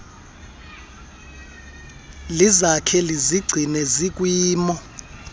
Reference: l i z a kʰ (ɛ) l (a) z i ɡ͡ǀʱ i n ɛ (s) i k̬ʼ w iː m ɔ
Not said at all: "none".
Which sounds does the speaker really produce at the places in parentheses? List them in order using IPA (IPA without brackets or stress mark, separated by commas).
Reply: ɛ, i, z